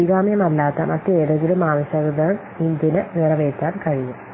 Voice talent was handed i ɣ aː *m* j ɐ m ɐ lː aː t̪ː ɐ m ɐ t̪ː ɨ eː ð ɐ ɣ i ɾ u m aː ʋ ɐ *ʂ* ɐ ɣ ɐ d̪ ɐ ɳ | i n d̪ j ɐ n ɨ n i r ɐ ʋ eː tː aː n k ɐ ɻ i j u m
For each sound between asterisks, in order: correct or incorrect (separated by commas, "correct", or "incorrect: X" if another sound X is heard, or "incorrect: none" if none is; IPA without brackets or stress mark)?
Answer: correct, incorrect: ɕ